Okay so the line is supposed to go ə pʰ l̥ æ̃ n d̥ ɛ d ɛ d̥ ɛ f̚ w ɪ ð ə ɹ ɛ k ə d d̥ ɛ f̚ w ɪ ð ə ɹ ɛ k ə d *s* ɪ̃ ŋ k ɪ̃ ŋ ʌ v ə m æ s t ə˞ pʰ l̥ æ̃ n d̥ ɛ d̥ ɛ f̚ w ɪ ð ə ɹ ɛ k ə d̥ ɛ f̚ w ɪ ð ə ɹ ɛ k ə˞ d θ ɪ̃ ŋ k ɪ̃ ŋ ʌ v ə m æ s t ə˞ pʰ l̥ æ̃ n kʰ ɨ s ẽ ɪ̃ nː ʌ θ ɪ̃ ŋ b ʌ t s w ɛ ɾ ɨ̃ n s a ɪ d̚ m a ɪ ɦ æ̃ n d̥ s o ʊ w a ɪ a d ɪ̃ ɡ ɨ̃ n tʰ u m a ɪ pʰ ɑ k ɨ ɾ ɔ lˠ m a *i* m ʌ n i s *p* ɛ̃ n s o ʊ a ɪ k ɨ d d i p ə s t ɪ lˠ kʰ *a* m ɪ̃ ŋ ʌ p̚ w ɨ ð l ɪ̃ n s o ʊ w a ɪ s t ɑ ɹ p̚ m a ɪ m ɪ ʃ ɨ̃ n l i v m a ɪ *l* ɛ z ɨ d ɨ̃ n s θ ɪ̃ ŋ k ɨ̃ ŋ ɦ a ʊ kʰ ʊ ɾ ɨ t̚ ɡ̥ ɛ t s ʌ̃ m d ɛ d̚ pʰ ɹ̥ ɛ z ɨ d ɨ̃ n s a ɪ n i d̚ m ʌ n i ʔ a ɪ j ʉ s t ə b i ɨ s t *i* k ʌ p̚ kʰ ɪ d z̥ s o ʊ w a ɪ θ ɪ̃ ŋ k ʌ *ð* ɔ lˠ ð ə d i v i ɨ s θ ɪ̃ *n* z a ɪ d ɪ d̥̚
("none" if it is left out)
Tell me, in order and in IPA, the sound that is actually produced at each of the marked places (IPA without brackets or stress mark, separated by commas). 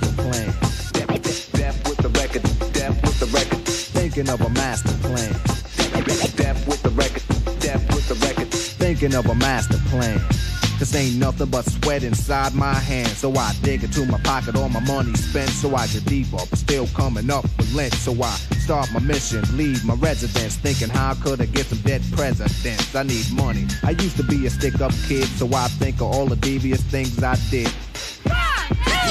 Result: θ, ɪ, p, ʌ, ɹ, ɪ, v, ŋ